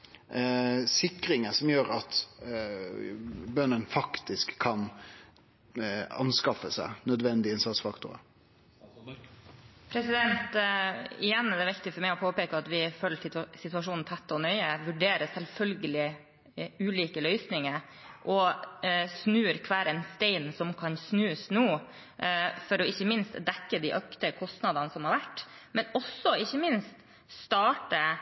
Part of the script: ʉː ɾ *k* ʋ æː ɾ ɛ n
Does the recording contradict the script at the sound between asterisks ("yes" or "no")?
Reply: yes